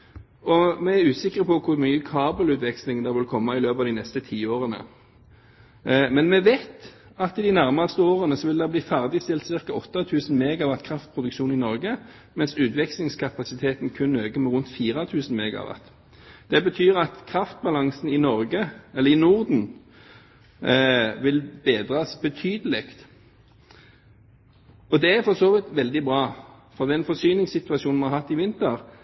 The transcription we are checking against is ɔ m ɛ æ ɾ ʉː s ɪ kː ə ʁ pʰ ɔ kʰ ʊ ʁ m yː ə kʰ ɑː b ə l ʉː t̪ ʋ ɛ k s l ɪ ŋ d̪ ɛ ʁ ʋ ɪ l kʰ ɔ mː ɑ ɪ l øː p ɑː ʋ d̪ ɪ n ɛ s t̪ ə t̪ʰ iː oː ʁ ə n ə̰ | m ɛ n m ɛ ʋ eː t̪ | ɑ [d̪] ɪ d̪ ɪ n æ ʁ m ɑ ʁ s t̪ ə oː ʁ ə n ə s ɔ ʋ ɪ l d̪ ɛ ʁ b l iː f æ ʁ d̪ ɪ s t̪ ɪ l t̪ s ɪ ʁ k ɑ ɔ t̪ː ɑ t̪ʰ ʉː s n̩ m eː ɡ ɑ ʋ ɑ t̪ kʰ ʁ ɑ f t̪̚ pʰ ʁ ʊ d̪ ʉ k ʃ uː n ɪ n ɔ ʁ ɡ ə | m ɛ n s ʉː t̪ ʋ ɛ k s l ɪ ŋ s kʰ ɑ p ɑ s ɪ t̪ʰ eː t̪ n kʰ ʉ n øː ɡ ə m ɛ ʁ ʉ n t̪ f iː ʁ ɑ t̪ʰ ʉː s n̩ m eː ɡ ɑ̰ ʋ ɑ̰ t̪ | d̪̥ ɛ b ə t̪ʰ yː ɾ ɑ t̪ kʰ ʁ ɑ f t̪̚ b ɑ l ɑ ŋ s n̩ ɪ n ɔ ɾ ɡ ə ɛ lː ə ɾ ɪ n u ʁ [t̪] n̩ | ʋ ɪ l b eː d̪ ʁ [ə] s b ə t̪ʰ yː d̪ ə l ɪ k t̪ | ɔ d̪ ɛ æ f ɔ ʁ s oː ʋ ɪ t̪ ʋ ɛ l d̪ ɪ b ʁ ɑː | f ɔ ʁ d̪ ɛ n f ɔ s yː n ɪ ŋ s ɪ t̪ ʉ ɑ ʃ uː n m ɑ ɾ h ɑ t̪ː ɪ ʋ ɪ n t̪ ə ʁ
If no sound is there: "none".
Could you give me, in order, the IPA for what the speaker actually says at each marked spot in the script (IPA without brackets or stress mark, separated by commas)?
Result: t̪, d̪, ɑ